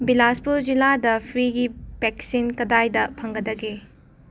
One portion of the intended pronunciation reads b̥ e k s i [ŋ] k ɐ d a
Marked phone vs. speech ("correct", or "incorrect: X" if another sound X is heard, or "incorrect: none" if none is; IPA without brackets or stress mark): incorrect: n